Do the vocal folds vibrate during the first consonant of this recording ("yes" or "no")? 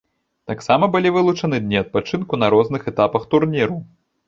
no